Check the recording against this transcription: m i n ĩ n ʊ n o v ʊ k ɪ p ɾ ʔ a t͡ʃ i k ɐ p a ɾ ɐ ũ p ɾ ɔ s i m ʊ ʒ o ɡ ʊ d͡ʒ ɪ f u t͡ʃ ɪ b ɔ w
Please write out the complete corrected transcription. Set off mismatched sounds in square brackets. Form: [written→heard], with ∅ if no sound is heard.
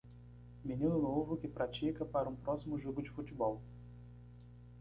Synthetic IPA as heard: m i n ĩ n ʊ n o v ʊ k ɪ p ɾ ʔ a t͡ʃ i k ɐ p a ɾ ɐ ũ p ɾ ɔ s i m ʊ ʒ o ɡ ʊ d͡ʒ ɪ f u t͡ʃ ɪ b ɔ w